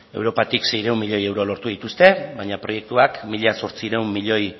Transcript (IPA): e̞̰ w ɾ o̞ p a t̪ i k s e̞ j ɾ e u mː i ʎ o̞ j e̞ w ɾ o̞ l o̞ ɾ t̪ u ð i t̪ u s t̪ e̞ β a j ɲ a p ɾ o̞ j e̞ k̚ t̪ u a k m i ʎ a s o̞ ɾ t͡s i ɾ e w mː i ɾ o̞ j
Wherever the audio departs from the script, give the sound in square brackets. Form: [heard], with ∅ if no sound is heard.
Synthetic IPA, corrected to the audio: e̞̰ w ɾ o̞ p a t̪ i k s e̞ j ɾ e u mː i ʎ o̞ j e̞ w ɾ o̞ l o̞ ɾ t̪ u ð i t̪ u s t̪ e̞ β a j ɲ a p ɾ o̞ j e̞ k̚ t̪ u a k m i ʎ a s o̞ ɾ t͡s i ɾ e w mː i [ʎ] o̞ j